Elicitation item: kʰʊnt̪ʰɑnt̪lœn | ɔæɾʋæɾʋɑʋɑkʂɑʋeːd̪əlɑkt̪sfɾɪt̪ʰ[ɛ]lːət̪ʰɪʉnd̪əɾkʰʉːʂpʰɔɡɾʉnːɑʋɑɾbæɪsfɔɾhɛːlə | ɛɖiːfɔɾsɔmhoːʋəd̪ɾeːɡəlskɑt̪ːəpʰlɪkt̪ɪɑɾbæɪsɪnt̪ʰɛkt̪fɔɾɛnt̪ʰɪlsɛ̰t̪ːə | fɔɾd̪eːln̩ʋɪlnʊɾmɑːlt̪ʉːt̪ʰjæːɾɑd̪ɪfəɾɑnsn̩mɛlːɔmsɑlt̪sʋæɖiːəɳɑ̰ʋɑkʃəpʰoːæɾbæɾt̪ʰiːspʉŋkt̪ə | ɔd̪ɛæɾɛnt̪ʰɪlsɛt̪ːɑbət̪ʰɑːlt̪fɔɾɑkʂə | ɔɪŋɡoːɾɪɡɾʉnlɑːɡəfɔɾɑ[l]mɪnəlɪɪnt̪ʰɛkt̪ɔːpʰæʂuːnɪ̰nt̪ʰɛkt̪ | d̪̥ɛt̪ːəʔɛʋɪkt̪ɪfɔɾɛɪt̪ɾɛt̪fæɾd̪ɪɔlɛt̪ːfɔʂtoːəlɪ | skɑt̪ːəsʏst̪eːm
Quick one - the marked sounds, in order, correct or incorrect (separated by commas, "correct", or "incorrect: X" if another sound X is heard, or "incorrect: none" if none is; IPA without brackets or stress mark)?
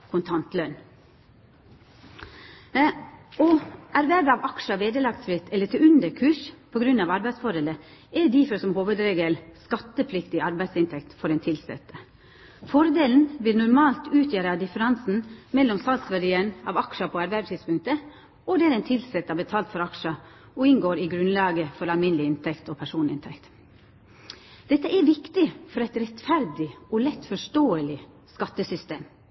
correct, correct